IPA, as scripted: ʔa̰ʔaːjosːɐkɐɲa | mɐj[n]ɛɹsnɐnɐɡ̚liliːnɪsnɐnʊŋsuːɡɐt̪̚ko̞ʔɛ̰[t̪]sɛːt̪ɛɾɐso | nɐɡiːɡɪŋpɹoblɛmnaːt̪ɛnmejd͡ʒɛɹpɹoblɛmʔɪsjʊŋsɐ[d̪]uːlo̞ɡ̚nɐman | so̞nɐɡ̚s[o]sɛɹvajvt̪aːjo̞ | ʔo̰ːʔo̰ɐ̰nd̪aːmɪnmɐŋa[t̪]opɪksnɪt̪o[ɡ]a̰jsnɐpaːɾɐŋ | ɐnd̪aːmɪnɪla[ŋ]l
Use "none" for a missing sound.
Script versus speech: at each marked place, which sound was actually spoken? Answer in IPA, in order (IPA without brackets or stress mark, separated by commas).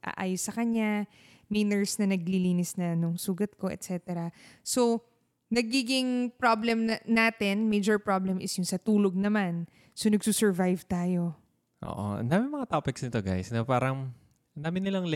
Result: n, t̪, t̪, u, t̪, ɡ, ŋ